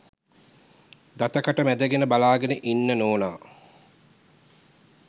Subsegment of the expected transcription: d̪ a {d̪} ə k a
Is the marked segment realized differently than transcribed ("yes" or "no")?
yes